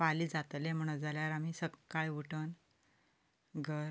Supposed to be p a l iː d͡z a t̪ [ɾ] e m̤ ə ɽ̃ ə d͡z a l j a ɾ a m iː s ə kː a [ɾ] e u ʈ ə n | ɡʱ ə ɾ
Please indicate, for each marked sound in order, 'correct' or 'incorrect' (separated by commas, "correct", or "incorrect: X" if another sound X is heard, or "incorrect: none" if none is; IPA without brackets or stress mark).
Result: incorrect: l, incorrect: ɭ